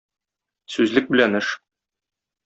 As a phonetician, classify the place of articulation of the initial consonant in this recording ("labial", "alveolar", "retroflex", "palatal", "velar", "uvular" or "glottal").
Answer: alveolar